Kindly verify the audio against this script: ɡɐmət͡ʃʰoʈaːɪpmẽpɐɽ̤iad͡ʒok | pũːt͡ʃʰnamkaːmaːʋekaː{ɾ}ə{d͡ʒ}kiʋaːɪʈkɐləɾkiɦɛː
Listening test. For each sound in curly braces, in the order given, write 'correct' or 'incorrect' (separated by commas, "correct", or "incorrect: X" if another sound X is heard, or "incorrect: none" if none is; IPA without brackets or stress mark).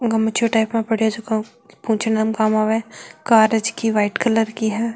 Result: correct, correct